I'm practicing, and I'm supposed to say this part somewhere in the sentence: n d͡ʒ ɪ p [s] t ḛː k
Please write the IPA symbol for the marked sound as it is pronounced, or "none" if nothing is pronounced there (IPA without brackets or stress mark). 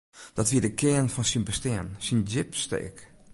s